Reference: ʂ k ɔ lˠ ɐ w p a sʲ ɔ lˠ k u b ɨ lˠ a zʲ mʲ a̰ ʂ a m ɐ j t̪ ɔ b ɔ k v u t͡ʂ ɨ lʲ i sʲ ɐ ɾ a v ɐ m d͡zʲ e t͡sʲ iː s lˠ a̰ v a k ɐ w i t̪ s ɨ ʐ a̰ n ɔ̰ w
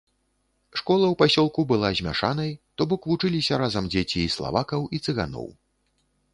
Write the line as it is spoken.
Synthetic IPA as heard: ʂ k ɔ lˠ ɐ w p a sʲ ɔ lˠ k u b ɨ lˠ a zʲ mʲ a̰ ʂ a n ɐ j t̪ ɔ b ɔ k v u t͡ʂ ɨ lʲ i sʲ ɐ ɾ a z ɐ m d͡zʲ e t͡sʲ iː s lˠ a̰ v a k ɐ w i t̪ s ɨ ɣ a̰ n ɔ̰ w